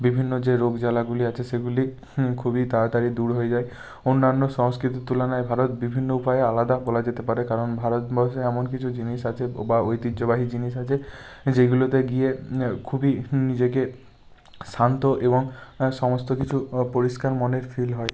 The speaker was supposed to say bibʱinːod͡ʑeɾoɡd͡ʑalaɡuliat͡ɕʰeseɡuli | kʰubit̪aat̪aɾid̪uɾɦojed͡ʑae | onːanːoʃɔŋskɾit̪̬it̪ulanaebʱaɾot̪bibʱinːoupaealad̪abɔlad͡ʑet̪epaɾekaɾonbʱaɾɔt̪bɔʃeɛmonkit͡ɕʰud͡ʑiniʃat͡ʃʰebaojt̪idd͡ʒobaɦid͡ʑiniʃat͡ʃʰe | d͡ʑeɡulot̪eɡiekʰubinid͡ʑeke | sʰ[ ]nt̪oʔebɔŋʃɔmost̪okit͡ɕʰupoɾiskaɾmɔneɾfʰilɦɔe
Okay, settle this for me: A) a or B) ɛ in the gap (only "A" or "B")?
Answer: A